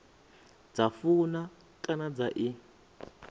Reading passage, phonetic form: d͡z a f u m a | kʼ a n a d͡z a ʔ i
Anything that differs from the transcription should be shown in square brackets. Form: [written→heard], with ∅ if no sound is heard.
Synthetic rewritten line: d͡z a f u [m→n] a | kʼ a n a d͡z a ʔ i